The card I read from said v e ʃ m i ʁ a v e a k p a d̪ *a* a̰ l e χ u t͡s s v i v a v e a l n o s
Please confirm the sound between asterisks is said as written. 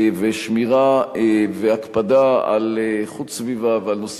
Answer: yes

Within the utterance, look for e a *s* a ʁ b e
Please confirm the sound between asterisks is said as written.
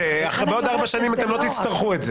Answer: no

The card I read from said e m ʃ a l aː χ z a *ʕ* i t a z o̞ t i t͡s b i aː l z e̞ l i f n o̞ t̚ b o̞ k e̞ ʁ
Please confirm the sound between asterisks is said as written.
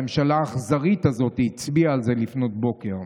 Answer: no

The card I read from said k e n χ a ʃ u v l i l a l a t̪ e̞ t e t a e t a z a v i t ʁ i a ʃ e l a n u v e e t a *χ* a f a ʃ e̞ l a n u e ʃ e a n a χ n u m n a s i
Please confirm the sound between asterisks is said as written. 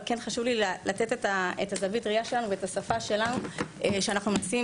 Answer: no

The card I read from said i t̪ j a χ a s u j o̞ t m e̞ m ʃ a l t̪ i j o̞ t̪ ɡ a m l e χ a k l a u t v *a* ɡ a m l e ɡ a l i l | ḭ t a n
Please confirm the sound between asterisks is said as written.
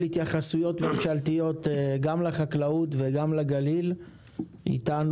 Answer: no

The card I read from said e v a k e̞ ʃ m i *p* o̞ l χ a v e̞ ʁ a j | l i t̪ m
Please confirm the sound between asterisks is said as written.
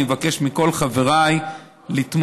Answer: no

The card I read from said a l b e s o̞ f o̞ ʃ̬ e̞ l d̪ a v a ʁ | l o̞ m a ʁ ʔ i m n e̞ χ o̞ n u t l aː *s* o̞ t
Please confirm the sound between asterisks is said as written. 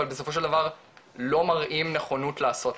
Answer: yes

